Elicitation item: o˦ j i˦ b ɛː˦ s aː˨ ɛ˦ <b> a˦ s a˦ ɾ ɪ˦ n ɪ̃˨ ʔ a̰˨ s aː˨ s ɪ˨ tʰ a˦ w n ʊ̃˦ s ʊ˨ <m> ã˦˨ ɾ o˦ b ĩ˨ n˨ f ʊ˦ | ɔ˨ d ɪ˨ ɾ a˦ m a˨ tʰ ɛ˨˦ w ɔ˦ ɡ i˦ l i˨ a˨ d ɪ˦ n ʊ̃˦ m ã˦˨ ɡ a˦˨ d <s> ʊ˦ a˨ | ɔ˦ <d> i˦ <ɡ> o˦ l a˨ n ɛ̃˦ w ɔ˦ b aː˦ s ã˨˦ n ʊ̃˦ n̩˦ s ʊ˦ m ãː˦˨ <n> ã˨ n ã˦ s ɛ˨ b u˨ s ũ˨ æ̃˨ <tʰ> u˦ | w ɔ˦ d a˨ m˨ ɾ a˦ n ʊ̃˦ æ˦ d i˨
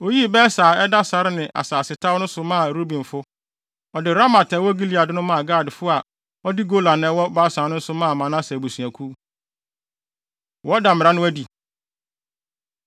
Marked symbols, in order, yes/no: no, yes, no, yes, yes, no, no

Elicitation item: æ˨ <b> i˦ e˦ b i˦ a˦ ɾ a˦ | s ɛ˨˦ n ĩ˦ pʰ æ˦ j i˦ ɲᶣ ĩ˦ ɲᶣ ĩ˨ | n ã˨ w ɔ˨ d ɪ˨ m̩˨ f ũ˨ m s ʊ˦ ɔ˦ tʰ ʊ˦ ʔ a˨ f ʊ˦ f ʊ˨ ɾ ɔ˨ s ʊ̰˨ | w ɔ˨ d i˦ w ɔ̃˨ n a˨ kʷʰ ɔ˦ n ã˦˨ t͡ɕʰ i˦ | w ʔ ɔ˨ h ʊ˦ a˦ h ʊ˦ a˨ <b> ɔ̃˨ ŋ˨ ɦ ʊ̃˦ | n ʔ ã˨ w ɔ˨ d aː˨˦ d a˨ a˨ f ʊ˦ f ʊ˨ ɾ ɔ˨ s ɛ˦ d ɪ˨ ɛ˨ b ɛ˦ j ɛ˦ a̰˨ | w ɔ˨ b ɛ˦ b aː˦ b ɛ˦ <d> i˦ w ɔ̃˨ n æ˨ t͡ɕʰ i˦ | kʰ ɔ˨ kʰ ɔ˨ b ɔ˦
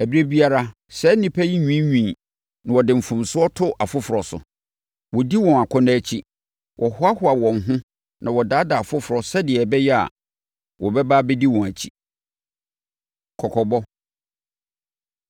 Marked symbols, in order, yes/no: yes, no, yes

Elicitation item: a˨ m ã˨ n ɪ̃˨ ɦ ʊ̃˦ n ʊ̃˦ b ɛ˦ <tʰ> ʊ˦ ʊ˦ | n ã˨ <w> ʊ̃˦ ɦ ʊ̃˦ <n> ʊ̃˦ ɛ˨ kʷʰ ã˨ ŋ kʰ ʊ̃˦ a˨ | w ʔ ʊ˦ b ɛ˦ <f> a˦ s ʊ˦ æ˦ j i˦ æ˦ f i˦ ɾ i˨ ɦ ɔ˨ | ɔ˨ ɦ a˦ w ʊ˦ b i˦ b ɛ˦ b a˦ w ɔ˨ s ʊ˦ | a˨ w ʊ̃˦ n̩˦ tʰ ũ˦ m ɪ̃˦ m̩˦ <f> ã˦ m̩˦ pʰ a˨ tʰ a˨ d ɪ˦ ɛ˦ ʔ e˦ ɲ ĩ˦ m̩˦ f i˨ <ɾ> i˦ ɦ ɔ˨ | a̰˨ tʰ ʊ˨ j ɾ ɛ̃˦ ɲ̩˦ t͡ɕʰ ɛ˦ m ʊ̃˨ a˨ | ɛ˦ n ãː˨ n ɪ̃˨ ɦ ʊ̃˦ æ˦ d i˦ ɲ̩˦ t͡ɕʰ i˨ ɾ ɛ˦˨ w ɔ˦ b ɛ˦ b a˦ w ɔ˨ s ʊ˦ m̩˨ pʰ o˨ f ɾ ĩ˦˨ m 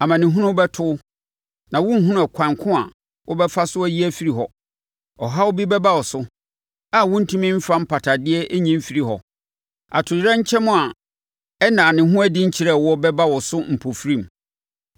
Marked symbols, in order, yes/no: yes, yes, yes, yes, yes, yes

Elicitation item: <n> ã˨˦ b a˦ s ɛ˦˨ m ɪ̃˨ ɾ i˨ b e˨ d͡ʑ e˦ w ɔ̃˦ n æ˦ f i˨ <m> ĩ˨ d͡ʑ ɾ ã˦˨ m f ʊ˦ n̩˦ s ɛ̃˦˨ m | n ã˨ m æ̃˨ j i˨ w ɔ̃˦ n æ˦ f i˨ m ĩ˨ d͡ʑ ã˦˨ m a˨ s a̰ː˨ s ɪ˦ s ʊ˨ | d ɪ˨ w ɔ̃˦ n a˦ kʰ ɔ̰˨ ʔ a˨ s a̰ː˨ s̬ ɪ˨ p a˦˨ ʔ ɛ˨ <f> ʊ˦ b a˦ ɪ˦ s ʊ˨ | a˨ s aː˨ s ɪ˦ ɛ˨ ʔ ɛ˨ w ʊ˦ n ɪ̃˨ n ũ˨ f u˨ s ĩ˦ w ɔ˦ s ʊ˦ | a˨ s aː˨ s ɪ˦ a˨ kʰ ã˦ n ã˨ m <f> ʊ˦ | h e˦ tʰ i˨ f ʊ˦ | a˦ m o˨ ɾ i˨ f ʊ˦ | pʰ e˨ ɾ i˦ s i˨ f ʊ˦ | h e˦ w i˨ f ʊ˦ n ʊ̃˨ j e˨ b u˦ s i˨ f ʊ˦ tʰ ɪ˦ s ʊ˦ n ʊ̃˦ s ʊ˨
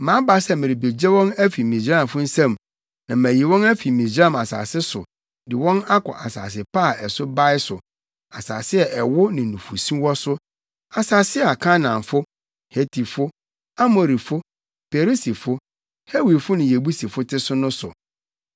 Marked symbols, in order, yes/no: no, yes, no, yes

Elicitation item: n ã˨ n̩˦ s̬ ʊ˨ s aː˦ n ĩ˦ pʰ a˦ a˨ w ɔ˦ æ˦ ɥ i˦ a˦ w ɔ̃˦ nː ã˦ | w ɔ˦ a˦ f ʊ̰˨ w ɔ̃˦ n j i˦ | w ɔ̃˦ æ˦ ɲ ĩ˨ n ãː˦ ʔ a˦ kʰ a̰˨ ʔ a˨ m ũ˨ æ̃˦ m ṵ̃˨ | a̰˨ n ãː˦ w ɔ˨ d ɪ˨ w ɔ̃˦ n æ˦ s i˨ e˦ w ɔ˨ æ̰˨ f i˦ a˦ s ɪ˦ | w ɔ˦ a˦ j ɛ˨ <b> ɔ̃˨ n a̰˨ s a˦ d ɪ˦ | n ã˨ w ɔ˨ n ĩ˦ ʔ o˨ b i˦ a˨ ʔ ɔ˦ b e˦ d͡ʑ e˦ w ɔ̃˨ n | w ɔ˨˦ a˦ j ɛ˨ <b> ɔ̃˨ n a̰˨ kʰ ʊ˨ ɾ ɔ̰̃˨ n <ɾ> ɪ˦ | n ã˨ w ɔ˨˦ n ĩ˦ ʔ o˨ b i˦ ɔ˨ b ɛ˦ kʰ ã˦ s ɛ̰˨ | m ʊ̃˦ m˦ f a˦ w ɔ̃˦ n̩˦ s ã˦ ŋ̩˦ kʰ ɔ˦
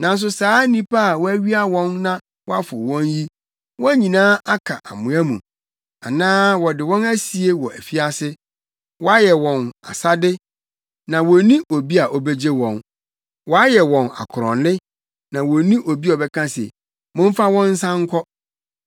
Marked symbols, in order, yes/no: no, no, no

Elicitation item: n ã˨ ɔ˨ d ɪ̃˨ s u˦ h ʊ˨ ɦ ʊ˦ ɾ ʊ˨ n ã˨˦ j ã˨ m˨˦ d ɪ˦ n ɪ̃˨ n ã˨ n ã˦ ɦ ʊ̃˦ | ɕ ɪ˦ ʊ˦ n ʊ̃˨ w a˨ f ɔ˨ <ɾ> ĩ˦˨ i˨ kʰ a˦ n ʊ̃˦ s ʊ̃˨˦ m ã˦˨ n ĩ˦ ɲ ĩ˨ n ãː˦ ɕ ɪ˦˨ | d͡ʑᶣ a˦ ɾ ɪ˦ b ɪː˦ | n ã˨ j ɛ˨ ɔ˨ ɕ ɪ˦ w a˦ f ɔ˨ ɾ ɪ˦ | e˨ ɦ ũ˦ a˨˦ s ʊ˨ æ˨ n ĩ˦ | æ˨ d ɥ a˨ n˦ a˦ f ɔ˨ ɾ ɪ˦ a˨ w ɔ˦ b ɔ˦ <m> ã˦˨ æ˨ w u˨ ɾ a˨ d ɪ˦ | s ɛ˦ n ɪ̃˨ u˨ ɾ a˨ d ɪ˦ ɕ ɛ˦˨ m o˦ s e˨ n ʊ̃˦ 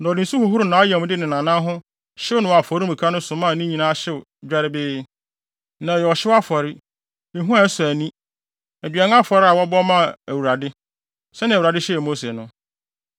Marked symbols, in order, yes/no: yes, yes

